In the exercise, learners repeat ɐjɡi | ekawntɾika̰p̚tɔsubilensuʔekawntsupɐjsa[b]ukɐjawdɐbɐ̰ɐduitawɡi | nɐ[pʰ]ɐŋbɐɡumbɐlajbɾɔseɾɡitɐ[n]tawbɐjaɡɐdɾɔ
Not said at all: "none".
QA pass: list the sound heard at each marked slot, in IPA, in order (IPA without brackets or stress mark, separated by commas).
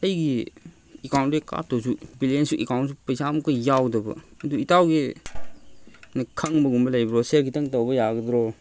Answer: m, kʰ, ŋ